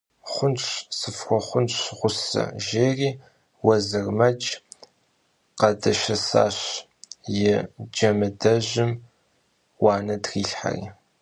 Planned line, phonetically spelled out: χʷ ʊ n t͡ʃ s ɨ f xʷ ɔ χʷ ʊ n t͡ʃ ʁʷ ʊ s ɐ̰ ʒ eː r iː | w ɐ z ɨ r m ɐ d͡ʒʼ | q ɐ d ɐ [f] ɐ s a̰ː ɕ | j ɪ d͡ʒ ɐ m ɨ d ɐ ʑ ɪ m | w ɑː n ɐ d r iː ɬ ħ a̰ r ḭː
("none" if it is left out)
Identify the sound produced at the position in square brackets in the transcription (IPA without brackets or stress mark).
ʃ